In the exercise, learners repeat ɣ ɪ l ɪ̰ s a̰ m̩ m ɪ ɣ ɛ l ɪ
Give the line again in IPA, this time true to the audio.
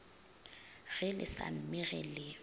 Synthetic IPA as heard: ɣ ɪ l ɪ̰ s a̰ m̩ m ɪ ɣ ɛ l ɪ

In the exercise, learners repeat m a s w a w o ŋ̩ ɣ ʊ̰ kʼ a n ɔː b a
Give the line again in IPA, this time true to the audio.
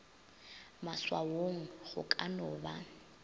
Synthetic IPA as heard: m a s w a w o ŋ̩ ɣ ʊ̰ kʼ a n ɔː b a

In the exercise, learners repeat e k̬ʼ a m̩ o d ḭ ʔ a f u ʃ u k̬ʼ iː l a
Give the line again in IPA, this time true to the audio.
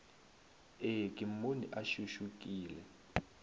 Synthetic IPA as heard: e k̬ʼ i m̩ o n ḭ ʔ a ʃ u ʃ u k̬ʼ iː l ɛ

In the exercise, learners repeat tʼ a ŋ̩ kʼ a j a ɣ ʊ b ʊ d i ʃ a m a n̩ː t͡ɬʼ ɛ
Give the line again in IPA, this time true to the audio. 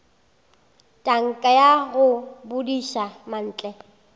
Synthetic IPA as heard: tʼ a ŋ̩ kʼ a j a ɣ ʊ b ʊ d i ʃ a m a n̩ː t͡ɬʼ ɛ

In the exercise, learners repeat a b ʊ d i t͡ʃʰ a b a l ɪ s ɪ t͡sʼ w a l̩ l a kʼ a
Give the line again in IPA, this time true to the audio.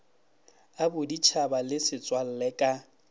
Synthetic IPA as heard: a b ʊ d i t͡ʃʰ a b a l ɪ s ɪ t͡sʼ w a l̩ l ɛ kʼ a

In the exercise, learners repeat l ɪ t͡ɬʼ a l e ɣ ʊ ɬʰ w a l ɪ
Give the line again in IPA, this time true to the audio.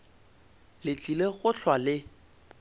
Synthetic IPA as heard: l ɪ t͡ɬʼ i l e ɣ ʊ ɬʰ w a l ɪ

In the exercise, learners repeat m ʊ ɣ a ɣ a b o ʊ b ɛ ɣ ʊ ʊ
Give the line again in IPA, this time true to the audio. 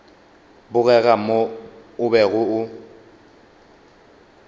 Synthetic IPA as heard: b ʊ ɣ ɛ ɣ a m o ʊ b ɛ ɣ ʊ ʊ

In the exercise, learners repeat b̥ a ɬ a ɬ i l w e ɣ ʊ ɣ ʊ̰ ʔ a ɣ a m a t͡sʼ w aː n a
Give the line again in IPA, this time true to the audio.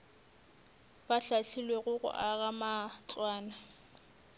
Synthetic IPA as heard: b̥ a ɬ a ɬ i l w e ɣ ʊ ɣ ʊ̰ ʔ a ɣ a m a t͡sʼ w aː n a

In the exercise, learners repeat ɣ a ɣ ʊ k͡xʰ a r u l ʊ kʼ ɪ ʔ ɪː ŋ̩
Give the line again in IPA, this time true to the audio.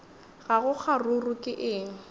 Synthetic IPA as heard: ɣ a ɣ ʊ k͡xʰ a r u r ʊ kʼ ɪ ʔ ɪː ŋ̩

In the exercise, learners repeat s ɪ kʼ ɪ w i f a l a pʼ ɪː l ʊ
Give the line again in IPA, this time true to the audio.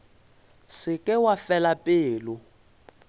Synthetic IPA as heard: s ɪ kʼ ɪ w a f ɛ l a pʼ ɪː l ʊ

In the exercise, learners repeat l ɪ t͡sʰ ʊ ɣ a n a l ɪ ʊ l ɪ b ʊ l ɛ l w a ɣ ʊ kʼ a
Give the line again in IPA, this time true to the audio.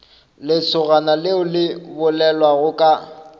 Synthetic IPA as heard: l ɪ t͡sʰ ʊ ɣ a n a l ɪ ʊ l ɪ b ʊ l ɛ l w a ɣ ʊ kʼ a

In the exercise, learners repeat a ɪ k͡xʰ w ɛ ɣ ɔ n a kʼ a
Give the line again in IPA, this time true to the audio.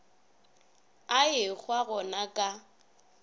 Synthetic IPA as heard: a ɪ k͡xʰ w a ɣ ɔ n a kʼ a

